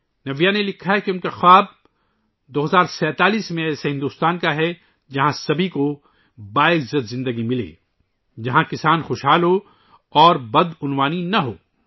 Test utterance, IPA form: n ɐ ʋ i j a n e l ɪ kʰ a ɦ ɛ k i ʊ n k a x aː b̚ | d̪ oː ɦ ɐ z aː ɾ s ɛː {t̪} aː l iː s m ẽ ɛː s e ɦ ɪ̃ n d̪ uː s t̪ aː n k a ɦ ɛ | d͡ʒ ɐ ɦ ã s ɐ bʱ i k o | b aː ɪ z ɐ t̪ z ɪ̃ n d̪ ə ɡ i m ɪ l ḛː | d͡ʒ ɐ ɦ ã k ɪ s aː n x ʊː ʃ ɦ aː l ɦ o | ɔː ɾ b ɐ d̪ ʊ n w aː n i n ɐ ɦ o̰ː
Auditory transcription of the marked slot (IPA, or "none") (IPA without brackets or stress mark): t̪